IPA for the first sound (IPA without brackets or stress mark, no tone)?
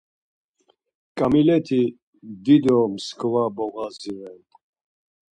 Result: kʼ